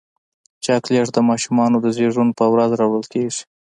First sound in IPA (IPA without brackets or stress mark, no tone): t͡ʃ